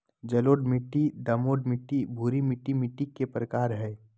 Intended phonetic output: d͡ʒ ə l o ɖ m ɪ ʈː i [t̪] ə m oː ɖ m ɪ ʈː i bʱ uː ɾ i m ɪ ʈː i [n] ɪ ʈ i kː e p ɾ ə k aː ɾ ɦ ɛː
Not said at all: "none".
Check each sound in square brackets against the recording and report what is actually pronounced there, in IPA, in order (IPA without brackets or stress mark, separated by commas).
d̪, m